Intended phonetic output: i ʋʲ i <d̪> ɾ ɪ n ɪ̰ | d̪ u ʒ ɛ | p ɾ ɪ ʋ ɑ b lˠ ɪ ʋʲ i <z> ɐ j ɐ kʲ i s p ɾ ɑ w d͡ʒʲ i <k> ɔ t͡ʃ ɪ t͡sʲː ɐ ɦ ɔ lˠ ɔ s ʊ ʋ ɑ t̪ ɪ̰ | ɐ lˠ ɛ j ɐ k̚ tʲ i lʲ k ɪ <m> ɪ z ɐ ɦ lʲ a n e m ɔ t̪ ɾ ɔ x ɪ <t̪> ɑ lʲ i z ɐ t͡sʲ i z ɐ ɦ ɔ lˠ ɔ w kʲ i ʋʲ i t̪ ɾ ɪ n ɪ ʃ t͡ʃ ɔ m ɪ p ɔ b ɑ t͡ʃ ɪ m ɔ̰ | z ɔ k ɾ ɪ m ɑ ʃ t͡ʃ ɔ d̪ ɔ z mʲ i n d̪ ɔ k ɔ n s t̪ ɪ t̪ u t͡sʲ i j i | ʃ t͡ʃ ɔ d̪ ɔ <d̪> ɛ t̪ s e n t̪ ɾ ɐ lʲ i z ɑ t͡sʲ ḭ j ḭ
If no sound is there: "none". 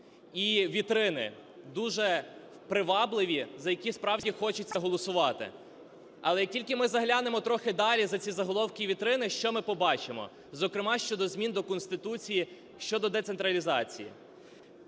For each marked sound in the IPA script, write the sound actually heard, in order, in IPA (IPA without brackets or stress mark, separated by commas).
t̪, z, x, m, d̪, d̪